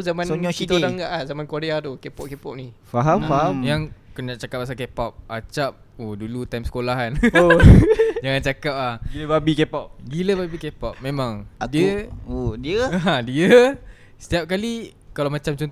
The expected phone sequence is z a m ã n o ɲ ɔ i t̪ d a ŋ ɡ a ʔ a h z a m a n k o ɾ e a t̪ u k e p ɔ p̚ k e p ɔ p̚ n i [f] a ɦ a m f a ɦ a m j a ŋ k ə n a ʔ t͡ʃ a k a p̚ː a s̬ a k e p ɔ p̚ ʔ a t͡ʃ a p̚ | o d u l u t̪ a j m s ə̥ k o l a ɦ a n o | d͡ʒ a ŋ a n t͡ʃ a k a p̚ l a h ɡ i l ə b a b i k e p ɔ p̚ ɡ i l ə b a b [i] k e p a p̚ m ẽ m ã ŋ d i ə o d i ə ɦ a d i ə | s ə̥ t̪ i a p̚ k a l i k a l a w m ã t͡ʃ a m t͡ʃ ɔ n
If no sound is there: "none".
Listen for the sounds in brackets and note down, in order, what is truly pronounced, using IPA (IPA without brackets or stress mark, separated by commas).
f, i